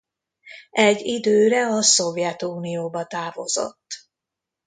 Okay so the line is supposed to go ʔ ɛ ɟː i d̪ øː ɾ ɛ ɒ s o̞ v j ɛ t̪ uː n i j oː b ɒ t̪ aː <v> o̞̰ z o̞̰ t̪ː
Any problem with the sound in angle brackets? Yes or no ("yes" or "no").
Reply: no